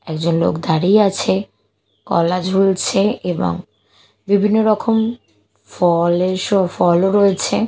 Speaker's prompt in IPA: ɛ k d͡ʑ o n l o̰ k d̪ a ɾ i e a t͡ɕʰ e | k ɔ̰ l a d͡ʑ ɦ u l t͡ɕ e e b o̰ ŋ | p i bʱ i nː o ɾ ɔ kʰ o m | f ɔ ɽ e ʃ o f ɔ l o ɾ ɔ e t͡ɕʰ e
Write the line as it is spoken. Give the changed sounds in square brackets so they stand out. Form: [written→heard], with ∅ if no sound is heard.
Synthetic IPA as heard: ɛ k d͡ʑ o n l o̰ k d̪ a ɾ i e a t͡ɕʰ e | k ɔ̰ l a d͡ʑ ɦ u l [t͡ɕ→t͡ɕʰ] e e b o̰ ŋ | [p→b] i bʱ i nː o ɾ ɔ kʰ o m | f ɔ [ɽ→l] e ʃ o f ɔ l o ɾ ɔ e t͡ɕʰ e